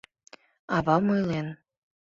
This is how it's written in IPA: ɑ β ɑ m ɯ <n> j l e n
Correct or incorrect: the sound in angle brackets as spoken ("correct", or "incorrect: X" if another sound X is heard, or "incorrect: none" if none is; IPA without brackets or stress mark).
incorrect: none